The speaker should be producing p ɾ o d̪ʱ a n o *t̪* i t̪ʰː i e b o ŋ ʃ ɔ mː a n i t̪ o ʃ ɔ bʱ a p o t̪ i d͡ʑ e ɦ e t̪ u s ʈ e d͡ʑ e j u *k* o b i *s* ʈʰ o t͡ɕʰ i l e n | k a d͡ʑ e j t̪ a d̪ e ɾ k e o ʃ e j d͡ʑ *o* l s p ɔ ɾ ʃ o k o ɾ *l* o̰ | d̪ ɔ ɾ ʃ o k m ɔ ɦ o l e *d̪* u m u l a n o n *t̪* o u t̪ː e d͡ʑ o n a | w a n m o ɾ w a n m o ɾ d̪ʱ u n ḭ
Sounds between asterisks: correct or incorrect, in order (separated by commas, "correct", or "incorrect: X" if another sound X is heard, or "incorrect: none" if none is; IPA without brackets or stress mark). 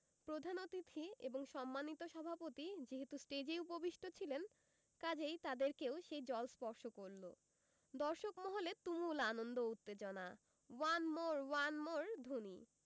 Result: correct, incorrect: p, incorrect: ʃ, incorrect: ɔ, correct, incorrect: t̪, incorrect: d̪